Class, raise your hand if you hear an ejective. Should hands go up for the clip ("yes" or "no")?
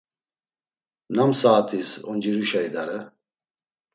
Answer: no